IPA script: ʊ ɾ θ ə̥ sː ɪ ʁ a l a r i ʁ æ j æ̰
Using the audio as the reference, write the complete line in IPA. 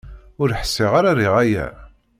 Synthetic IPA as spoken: ʊ ɾ ħ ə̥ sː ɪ ʁ a ɾ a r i ʁ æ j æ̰